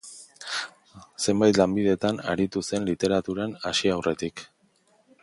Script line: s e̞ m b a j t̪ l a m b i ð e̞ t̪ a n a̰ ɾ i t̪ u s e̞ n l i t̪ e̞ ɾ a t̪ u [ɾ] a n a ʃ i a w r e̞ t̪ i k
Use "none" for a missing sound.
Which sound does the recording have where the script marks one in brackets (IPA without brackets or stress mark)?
ɾ